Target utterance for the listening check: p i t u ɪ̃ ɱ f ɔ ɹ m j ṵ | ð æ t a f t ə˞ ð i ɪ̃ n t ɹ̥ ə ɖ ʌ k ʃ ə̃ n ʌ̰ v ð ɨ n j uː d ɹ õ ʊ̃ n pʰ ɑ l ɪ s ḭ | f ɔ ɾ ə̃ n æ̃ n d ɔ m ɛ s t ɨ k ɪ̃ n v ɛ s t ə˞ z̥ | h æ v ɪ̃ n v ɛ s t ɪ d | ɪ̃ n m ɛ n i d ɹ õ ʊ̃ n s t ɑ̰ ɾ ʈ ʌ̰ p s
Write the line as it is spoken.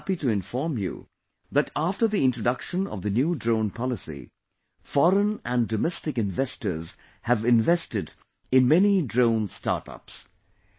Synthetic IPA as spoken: p i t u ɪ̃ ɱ f ɔ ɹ m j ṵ | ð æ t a f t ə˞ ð i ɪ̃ n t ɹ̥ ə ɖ ʌ k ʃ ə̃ n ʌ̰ v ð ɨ n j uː d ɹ õ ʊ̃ n pʰ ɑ l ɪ s ḭ | f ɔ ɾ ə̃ n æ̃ n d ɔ m ɛ s t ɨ k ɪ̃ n v ɛ s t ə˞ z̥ | h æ v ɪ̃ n v ɛ s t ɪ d | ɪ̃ n m ɛ n i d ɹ õ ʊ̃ n s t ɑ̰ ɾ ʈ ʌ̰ p s

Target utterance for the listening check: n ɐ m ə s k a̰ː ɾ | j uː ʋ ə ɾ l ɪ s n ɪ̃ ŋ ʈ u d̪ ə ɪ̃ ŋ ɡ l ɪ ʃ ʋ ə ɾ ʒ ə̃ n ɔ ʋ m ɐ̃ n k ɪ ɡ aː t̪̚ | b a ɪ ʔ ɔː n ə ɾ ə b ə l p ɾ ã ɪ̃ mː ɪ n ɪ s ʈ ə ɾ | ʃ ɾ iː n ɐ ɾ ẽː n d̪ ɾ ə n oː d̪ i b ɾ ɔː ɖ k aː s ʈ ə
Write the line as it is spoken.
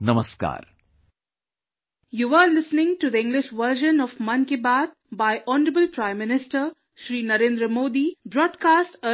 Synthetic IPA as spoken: n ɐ m ə s k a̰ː ɾ | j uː ʋ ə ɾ l ɪ s n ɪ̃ ŋ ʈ u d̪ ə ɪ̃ ŋ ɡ l ɪ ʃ ʋ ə ɾ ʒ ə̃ n ɔ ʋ m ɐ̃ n k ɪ b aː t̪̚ | b a ɪ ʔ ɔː n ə ɾ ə b ə l p ɾ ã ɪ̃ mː ɪ n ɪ s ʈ ə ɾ | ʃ ɾ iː n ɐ ɾ ẽː n d̪ ɾ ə m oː d̪ i b ɾ ɔː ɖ k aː s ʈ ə

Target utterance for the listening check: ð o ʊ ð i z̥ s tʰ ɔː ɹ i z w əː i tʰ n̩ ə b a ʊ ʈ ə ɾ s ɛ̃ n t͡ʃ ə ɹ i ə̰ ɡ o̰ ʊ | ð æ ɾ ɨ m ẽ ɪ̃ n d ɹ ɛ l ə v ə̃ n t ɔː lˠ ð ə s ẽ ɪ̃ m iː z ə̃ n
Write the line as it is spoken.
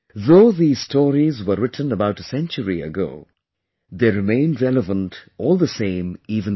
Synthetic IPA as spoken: ð o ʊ ð i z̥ s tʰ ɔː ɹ i z w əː ɪ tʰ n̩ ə b a ʊ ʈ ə s ɛ̃ n t͡ʃ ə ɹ i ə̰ ɡ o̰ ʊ | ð e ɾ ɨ m ẽ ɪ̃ n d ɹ ɛ l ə v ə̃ n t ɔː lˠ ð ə s ẽ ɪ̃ m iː v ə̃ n

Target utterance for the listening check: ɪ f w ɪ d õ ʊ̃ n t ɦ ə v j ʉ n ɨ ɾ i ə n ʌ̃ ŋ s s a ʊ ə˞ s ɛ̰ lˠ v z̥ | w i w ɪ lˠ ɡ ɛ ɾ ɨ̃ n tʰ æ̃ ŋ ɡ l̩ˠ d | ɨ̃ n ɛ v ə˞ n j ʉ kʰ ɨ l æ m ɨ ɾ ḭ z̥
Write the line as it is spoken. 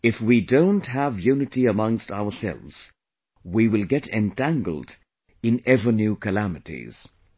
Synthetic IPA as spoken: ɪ f w i d õ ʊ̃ n t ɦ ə v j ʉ n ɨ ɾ i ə m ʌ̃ ŋ s t a ʊ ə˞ s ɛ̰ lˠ v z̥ | w i w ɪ lˠ ɡ ɛ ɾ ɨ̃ n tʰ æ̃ ŋ ɡ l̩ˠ d | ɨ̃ n ɛ v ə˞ n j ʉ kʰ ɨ l æ m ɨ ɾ ḭ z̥

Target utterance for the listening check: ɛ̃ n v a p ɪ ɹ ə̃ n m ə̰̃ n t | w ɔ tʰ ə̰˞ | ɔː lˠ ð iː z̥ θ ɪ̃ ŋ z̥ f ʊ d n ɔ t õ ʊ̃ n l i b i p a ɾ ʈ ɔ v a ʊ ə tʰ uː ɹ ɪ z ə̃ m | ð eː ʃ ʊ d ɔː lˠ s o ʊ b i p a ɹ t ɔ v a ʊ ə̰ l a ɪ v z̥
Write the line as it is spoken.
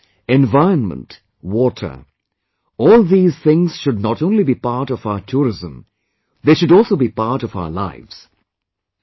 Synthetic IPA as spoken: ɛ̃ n v a ɪ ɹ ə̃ n m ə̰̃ n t | w ɔ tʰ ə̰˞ | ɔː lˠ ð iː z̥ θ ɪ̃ ŋ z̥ ʃ ʊ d n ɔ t õ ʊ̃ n l i b i p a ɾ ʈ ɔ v a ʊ ə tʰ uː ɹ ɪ z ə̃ m | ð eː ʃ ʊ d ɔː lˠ s o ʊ b i p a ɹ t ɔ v a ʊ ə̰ l a ɪ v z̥

